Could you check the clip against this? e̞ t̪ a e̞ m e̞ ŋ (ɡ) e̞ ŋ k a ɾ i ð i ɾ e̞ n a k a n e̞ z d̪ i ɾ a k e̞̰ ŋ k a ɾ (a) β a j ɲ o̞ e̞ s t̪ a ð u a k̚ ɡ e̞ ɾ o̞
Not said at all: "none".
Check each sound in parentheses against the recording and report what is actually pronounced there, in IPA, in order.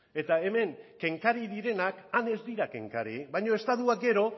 k, i

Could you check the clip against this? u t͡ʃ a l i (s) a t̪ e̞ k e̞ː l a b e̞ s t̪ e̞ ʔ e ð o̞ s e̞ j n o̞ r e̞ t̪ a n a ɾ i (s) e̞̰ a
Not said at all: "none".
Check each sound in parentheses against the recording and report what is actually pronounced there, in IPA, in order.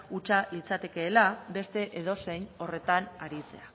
t͡s, t͡s

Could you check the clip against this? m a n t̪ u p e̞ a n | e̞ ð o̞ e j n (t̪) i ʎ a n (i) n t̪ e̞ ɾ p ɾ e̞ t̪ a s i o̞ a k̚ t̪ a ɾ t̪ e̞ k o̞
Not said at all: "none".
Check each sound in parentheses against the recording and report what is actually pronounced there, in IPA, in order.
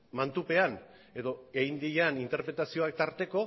d̪, i

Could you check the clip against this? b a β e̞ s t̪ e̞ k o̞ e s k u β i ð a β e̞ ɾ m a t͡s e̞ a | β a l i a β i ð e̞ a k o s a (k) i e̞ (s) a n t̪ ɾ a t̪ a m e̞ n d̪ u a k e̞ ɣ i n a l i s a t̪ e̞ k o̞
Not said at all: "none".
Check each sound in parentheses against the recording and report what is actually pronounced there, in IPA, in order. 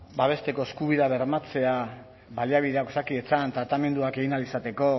k, t͡s

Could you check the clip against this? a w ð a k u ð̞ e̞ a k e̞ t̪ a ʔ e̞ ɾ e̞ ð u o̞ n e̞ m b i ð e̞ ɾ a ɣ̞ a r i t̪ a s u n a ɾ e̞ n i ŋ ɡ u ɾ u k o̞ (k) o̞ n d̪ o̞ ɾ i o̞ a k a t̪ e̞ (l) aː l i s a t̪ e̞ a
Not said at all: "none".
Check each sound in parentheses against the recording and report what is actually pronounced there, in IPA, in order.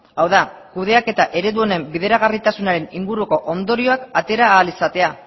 ʔ, ɾ

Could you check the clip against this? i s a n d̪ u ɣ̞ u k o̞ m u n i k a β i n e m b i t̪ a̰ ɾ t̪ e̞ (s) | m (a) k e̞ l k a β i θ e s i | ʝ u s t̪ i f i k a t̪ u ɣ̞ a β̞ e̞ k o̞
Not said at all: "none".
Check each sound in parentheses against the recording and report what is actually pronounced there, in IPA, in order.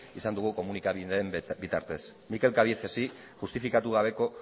s, i

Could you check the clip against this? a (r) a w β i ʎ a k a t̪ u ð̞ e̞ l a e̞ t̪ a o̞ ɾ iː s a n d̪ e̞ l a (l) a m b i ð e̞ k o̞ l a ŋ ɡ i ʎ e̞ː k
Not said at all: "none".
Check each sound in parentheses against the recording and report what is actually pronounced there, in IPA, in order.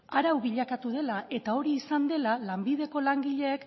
ɾ, l

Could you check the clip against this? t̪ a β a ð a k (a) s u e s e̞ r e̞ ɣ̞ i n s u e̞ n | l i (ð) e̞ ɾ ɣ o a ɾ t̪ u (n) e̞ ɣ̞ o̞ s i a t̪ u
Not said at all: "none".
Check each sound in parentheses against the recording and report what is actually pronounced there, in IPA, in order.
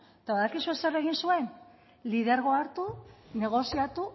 i, ð, n

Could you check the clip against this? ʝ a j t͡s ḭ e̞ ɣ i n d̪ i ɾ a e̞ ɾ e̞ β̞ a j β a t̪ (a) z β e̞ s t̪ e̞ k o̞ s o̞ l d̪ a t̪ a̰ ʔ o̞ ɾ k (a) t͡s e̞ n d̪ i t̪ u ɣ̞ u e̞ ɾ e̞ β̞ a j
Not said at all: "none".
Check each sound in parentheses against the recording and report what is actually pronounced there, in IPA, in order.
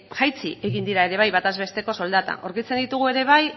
a, i

